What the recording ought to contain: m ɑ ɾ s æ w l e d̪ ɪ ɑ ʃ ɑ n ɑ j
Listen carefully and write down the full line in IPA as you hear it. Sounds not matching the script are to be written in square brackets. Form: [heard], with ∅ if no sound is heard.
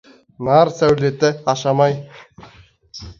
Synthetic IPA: [n] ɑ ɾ s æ w l e [t̪] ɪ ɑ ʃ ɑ [m] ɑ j